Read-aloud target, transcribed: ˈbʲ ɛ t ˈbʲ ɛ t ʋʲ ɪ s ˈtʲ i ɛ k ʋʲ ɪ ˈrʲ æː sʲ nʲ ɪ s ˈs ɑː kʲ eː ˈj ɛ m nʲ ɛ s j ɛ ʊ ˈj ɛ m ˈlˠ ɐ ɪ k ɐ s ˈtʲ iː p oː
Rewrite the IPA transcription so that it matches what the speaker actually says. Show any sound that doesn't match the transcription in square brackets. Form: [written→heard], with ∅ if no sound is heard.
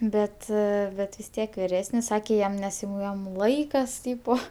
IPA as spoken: ˈbʲ ɛ t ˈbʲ ɛ t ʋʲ ɪ s ˈtʲ i ɛ k ʋʲ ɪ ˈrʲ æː sʲ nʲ ɪ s ˈs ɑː kʲ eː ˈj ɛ m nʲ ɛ s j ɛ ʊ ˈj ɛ m ˈlˠ ɐ ɪ k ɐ s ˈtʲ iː p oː